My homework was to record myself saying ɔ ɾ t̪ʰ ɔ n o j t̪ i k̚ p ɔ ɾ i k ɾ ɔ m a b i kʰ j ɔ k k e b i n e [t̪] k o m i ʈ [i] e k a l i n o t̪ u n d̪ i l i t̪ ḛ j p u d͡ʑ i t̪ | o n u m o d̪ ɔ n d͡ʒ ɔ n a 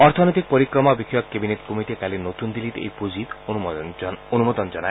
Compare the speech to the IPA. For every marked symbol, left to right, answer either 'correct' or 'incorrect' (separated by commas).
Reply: correct, correct